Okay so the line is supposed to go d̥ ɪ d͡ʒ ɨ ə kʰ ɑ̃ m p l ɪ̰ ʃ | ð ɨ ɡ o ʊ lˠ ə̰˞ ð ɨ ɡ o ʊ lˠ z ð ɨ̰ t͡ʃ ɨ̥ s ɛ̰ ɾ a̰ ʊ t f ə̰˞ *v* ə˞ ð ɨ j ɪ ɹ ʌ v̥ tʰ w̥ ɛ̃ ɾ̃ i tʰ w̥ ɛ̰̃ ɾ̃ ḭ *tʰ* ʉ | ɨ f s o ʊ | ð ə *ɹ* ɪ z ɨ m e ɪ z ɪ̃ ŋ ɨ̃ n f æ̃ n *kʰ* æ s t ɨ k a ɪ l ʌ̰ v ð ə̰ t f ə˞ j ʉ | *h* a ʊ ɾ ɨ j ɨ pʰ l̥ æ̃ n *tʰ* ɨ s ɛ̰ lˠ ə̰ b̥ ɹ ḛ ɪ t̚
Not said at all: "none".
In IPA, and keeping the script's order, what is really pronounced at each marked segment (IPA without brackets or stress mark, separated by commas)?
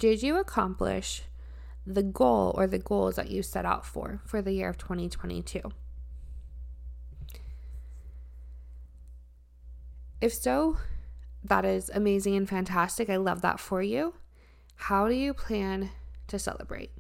f, tʰ, ɾ, tʰ, h, tʰ